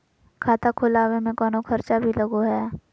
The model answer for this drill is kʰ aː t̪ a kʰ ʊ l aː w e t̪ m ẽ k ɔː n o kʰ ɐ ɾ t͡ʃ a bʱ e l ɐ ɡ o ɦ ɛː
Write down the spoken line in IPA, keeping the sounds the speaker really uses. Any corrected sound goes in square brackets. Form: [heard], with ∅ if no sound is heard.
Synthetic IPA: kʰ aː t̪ a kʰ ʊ l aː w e [∅] m ẽ k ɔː n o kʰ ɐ ɾ t͡ʃ a bʱ [i] l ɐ ɡ o ɦ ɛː